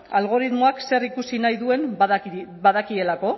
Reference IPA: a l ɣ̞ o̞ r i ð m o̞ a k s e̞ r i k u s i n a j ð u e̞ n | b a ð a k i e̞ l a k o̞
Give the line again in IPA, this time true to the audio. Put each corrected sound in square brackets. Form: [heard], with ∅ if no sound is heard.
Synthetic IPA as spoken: a l ɣ̞ o̞ [ɾ] i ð m o̞ a k s e̞ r i k u s i n a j ð u e̞ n | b a ð a k i e̞ l a k o̞